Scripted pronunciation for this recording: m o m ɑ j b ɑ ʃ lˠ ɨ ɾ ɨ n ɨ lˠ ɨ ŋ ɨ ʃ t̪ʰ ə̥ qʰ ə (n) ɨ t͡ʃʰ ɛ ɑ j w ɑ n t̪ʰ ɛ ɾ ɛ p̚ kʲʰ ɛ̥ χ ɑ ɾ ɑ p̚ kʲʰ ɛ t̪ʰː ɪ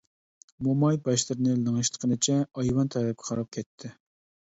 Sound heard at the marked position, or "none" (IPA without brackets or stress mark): n